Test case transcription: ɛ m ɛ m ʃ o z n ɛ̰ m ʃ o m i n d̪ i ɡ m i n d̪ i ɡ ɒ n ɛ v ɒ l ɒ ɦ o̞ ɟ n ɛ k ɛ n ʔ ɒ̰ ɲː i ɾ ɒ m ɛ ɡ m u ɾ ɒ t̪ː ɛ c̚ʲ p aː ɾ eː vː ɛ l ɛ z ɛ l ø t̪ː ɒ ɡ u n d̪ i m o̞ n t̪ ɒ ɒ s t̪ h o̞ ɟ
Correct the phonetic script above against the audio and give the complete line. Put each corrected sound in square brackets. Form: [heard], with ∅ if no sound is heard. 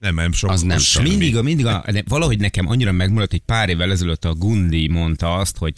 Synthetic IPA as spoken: ɛ m ɛ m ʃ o z n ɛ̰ m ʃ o m i n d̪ i ɡ m i n d̪ i ɡ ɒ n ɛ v ɒ l ɒ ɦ o̞ ɟ n ɛ k ɛ [m] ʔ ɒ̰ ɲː i ɾ ɒ m ɛ ɡ m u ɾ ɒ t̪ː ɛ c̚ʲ p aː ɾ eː vː ɛ l ɛ z ɛ l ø t̪ː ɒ ɡ u n d̪ i m o̞ n t̪ ɒ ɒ s t̪ h o̞ ɟ